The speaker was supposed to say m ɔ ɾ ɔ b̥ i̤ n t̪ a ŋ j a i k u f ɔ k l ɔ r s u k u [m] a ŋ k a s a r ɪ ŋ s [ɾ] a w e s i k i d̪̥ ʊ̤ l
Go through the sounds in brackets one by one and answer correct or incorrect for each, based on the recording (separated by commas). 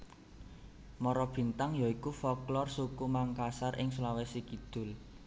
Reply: correct, incorrect